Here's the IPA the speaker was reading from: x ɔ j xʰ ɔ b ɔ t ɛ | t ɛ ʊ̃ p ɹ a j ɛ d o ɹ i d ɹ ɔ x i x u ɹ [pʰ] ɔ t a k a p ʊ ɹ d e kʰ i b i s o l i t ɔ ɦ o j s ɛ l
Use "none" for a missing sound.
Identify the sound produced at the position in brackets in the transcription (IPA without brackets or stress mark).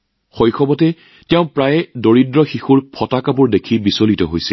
pʰ